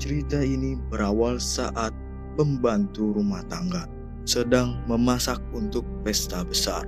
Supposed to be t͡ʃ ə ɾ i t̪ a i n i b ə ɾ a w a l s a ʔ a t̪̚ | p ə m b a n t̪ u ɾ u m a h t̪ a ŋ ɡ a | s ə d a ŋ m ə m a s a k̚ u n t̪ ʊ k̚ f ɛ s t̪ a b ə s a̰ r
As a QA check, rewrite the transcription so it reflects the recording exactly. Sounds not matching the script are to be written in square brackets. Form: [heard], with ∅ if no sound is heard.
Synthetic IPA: t͡ʃ ə ɾ i t̪ a i n i b ə ɾ a w a l s a ʔ a t̪̚ | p ə m b a n t̪ u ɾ u m a h t̪ a ŋ ɡ a | s ə d a ŋ m ə m a s a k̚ u n t̪ ʊ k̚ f ɛ s t̪ a b ə s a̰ r